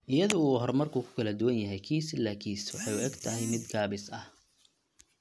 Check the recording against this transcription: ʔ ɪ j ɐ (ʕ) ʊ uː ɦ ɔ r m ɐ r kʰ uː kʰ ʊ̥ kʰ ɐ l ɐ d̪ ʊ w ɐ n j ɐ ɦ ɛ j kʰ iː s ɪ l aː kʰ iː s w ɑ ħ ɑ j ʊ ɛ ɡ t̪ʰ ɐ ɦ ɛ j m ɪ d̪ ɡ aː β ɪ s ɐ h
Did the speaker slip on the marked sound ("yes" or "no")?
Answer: yes